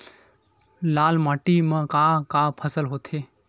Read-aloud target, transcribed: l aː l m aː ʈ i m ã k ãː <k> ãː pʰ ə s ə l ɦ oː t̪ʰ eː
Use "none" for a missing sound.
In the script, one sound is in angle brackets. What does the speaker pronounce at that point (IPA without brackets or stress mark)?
k